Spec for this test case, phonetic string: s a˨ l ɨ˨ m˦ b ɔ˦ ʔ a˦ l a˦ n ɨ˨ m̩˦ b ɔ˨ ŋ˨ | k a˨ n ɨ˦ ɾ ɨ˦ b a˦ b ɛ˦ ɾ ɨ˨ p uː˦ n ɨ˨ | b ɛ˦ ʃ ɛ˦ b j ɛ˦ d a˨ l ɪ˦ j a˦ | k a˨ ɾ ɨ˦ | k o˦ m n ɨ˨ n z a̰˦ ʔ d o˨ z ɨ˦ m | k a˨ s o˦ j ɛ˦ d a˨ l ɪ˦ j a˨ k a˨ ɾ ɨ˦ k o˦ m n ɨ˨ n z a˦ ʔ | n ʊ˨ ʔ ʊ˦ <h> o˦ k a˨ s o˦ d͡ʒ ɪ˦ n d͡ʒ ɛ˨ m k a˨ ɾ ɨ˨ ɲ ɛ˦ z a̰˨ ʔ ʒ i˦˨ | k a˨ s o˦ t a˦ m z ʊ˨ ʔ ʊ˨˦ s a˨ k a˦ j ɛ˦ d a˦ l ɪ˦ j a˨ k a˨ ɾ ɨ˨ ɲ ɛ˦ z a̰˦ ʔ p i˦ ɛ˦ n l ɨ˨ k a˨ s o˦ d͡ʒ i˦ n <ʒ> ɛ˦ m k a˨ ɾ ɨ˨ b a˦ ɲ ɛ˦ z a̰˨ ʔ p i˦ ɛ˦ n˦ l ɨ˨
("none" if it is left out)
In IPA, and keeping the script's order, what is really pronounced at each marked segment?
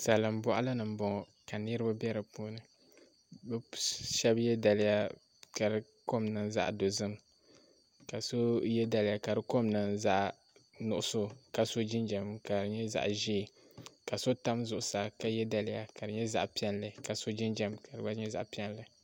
s, d͡ʒ

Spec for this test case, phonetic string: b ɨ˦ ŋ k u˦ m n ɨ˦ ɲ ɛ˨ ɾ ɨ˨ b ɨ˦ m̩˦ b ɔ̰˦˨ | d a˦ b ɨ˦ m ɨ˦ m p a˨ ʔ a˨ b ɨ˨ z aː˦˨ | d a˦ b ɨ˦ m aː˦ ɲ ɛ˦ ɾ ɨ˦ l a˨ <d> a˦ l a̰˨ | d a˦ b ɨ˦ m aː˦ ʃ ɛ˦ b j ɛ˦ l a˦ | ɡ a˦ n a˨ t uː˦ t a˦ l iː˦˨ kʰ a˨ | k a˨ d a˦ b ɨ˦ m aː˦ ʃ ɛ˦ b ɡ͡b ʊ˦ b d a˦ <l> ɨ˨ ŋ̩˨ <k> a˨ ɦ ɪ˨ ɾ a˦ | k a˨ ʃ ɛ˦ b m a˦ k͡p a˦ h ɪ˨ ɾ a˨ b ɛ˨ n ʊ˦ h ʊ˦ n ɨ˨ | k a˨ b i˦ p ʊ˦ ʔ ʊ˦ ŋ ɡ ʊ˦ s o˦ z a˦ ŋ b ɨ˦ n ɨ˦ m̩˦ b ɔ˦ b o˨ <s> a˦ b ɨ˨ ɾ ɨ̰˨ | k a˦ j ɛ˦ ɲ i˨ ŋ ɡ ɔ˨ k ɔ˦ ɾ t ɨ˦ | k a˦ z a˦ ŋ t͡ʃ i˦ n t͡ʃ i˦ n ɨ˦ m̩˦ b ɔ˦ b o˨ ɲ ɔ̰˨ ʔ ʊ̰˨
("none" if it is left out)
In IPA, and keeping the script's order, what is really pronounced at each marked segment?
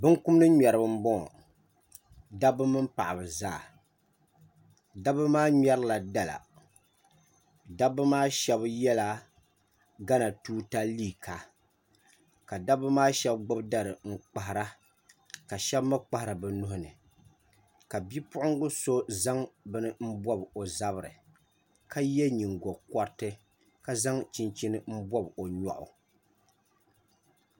d, ɾ, k͡p, z

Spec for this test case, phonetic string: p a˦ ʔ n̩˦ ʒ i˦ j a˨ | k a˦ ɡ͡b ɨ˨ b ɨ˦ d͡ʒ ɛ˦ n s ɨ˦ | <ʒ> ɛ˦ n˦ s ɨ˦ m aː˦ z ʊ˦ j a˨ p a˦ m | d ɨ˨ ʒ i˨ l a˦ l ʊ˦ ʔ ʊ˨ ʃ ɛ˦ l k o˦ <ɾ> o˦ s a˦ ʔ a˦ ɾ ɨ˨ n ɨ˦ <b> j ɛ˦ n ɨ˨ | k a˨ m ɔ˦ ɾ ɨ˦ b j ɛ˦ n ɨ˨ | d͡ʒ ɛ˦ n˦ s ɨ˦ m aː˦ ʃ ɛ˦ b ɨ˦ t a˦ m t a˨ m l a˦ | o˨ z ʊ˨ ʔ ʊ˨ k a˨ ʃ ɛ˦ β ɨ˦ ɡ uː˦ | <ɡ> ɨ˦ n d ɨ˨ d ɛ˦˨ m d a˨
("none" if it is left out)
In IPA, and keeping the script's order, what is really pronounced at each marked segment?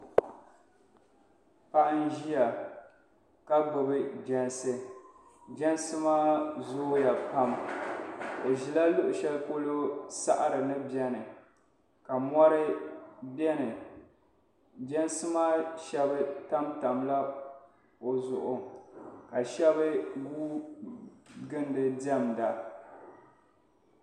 d͡ʒ, l, b, ɡ

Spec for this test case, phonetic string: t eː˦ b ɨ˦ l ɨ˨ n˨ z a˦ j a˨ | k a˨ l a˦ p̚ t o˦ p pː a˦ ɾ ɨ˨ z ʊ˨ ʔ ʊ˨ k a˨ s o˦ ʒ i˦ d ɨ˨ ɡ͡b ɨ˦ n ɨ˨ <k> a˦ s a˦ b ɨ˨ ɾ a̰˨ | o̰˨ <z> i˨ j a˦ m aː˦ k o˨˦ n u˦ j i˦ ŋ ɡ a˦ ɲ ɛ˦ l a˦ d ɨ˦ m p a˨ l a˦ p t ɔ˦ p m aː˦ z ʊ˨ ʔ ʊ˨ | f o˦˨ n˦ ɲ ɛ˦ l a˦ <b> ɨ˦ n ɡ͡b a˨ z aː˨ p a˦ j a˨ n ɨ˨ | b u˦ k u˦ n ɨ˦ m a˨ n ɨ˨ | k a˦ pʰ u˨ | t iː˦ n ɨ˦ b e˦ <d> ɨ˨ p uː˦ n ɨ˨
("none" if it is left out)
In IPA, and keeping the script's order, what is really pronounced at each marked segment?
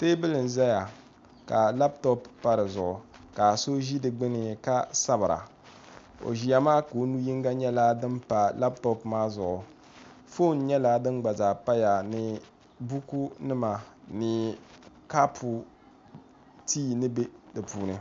k, ʒ, d, d

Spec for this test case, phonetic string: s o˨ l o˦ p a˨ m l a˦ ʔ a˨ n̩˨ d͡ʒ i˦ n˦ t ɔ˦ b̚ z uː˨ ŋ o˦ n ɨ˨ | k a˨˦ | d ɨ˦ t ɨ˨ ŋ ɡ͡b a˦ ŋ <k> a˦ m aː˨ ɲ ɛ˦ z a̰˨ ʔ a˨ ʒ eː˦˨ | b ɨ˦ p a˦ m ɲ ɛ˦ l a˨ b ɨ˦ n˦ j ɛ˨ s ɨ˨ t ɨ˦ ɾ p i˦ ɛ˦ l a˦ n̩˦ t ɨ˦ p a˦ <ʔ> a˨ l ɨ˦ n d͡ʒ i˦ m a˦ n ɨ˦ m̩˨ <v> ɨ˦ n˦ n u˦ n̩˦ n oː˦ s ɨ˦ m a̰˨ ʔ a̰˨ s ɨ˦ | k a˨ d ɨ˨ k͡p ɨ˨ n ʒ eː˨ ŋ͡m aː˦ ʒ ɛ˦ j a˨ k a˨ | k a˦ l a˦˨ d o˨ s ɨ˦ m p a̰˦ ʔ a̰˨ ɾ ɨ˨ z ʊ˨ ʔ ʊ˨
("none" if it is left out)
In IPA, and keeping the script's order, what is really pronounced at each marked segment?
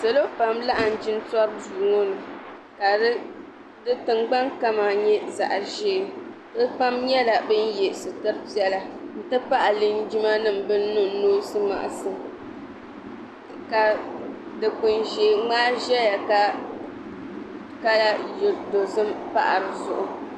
k, ʔ, b

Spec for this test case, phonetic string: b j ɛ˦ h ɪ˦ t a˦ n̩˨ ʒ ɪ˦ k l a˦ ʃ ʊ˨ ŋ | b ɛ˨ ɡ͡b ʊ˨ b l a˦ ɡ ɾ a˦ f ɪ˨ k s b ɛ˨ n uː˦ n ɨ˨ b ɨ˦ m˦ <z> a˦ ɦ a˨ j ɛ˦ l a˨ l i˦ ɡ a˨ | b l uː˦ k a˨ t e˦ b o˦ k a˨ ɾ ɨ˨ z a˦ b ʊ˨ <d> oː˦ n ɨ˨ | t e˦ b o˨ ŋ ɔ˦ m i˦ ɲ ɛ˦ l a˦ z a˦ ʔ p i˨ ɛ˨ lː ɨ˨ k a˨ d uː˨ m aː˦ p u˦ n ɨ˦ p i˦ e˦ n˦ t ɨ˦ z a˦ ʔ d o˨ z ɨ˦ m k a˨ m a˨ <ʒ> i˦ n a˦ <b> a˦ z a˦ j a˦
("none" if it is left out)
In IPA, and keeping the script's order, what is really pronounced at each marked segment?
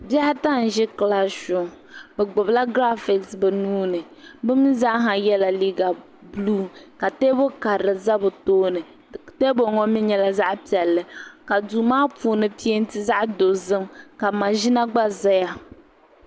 z, t, ʒ, ɡ͡b

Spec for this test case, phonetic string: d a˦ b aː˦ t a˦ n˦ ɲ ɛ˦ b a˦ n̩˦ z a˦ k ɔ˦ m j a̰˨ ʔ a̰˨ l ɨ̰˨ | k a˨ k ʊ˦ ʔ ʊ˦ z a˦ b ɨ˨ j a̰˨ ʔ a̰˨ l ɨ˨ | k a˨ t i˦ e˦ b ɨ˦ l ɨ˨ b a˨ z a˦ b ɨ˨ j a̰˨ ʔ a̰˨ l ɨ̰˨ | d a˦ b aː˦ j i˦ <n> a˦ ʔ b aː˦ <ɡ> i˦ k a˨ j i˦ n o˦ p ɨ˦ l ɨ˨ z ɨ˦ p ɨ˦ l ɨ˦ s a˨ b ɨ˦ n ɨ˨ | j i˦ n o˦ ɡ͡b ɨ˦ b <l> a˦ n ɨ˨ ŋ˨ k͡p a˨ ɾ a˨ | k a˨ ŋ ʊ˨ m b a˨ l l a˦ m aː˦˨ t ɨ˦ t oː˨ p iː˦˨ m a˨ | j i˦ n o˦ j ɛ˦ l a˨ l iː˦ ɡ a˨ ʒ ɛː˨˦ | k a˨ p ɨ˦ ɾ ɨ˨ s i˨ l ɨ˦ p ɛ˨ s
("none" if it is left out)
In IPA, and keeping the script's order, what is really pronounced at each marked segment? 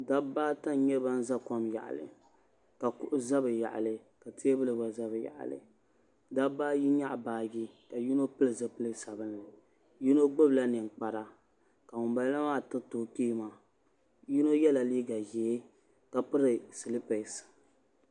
ɲ, ɡ, l

